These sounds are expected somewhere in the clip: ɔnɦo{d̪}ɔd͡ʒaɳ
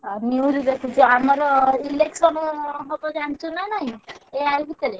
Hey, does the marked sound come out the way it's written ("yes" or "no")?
no